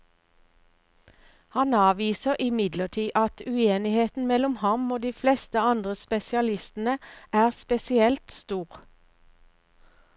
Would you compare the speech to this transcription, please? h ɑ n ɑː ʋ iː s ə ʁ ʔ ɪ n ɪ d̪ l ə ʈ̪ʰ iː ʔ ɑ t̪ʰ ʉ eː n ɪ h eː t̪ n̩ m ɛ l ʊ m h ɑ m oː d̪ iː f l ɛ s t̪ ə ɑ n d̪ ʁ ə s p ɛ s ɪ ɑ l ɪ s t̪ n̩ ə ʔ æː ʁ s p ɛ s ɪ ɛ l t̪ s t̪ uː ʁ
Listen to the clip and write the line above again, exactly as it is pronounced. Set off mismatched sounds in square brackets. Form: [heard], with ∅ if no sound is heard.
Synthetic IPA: h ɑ n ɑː ʋ iː s ə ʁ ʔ ɪ [m] ɪ d̪ l ə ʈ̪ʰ iː ʔ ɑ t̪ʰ ʉ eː n ɪ h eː t̪ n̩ m ɛ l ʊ m h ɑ m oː d̪ iː f l ɛ s t̪ ə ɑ n d̪ ʁ ə s p ɛ s ɪ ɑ l ɪ s t̪ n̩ ə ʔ æː ʁ s p ɛ s ɪ ɛ l t̪ s t̪ uː ʁ